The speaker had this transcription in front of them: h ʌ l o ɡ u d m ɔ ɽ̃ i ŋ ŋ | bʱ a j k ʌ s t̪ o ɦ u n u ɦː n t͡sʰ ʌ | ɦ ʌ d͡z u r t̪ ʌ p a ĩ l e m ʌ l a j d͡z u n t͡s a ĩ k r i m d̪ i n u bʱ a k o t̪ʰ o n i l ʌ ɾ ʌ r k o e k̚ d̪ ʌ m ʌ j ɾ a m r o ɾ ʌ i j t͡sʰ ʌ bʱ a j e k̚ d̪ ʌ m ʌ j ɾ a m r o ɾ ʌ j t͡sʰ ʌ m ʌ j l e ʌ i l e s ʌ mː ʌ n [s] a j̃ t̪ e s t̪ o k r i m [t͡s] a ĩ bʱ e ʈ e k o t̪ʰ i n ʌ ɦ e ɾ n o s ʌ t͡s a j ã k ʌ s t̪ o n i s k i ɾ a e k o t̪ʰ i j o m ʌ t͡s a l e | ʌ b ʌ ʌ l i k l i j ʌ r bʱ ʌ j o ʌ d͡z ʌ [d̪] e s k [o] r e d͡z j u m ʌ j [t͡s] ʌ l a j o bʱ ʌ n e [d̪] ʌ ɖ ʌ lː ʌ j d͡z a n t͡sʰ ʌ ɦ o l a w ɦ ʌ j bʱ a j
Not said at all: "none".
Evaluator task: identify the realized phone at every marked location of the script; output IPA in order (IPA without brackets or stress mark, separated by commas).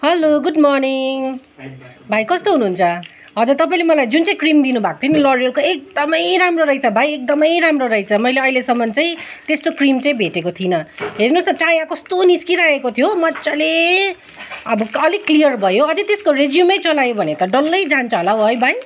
t͡s, t͡s, t̪, o, t͡s, t̪